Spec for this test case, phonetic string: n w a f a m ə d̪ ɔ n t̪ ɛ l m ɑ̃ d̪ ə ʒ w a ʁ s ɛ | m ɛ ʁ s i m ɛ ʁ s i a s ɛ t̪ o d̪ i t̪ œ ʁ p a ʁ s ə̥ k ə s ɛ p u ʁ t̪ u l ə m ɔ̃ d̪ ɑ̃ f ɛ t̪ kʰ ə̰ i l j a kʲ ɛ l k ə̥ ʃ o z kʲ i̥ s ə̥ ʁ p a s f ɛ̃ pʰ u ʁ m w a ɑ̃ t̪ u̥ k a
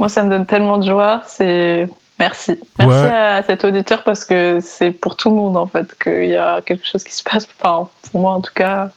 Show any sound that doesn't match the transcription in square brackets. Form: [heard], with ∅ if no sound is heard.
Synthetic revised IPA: [m] w a [s] a m ə d̪ ɔ n t̪ ɛ l m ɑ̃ d̪ ə ʒ w a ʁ s ɛ | m ɛ ʁ s i m ɛ ʁ s i a s ɛ t̪ o d̪ i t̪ œ ʁ p a ʁ s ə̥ k ə s ɛ p u ʁ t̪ u l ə m ɔ̃ d̪ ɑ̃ f ɛ t̪ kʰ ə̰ i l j a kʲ ɛ l k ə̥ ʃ o z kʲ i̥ s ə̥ [∅] p a s f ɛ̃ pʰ u ʁ m w a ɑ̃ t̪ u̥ k a